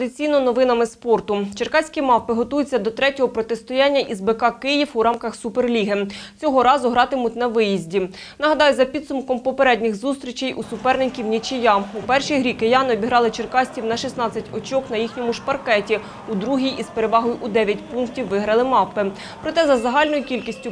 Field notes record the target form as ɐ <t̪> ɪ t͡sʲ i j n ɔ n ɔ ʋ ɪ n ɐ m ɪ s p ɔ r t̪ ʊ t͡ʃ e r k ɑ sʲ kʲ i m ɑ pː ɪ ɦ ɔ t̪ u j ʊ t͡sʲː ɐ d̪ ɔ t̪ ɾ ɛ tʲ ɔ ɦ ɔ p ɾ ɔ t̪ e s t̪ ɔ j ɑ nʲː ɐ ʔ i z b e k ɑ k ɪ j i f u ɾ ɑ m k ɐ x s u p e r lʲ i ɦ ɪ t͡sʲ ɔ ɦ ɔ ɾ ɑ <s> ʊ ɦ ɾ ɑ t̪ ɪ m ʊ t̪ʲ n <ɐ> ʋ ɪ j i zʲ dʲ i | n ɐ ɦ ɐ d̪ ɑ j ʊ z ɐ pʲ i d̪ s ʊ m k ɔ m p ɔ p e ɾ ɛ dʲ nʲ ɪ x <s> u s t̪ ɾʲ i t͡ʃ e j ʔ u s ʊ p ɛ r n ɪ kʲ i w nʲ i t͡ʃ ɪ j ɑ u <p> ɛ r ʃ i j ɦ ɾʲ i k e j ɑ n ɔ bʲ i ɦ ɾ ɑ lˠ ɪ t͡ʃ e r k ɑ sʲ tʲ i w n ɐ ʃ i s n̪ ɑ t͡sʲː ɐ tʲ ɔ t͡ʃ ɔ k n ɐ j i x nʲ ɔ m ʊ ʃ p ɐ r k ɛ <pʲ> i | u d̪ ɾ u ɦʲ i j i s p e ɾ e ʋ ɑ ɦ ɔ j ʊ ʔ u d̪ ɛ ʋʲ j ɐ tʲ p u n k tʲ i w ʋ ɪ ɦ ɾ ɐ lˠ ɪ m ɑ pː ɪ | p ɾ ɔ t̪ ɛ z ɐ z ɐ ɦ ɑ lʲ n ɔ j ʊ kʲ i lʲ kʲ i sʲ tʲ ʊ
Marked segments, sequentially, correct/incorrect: incorrect, incorrect, correct, incorrect, correct, incorrect

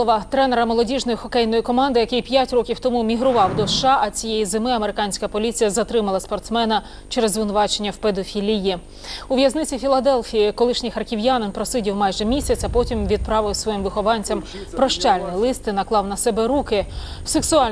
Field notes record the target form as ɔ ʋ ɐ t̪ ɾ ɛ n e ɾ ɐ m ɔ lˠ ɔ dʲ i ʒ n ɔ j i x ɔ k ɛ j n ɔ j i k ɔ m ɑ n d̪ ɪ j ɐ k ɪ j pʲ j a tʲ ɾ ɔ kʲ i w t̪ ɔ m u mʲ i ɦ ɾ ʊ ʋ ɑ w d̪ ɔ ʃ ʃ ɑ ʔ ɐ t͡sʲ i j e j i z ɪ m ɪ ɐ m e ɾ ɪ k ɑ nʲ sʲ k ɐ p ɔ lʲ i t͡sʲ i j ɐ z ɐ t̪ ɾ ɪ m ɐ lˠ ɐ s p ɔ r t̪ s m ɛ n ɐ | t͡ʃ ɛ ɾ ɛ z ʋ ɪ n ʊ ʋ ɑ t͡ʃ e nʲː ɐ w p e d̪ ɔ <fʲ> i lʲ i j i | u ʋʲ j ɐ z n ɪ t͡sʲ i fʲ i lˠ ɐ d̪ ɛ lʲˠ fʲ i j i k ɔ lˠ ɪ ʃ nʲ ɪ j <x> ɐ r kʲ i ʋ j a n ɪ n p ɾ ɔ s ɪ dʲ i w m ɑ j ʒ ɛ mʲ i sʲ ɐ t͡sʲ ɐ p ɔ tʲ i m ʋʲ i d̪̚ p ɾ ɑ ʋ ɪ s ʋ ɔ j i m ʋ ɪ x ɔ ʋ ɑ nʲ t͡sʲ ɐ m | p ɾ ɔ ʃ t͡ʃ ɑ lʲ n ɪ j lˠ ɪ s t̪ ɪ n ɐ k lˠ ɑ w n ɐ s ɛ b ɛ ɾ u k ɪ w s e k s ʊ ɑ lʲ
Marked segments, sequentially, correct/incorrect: correct, correct

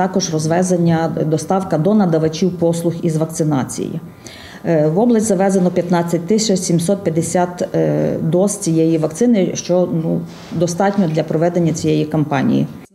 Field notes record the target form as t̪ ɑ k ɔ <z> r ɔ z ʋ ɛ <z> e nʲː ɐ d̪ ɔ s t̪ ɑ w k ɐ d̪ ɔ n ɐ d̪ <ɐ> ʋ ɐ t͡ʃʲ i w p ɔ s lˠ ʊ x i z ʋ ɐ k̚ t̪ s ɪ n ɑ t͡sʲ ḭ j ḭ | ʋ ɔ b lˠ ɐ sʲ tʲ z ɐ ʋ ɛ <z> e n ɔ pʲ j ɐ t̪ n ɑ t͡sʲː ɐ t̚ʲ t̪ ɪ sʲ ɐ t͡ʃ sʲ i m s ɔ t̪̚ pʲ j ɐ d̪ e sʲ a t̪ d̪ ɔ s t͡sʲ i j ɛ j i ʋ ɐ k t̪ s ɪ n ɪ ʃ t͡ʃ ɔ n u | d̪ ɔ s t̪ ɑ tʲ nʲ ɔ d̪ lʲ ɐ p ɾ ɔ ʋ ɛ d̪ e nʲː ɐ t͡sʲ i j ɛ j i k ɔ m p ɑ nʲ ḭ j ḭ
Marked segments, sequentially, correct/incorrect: incorrect, correct, correct, correct

